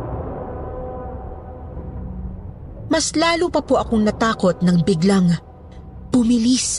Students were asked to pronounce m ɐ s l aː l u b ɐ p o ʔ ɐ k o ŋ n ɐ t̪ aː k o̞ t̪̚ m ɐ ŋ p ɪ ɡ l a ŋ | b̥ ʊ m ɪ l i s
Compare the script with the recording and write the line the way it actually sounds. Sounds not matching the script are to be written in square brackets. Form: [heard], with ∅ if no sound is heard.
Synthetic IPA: m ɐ s l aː l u [p] ɐ p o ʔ ɐ k o ŋ n ɐ t̪ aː k o̞ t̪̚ [n] ɐ ŋ [b] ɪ ɡ l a ŋ | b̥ ʊ m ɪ l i s